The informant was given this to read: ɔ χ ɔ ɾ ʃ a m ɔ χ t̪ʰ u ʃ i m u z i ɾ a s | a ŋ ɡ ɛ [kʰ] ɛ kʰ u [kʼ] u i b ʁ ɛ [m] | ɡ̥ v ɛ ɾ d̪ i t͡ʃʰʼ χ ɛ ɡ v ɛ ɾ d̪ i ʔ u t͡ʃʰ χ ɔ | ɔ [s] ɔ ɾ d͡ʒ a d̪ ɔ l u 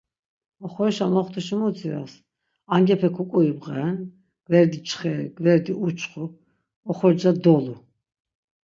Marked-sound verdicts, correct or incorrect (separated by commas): incorrect, correct, incorrect, incorrect